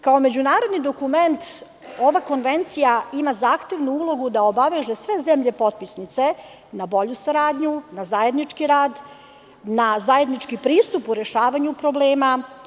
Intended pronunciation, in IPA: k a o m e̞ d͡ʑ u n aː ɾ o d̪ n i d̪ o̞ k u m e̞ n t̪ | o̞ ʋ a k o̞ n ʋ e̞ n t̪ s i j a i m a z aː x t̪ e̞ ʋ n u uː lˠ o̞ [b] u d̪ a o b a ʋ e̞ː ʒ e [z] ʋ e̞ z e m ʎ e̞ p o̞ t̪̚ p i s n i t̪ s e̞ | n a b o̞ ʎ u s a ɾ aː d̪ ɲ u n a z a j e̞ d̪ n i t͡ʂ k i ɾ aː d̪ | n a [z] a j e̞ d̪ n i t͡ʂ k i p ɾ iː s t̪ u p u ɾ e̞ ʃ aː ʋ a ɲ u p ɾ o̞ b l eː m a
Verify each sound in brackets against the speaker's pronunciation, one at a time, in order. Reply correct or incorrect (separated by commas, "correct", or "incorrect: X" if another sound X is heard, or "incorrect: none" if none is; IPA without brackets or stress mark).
incorrect: ɡ, incorrect: s, correct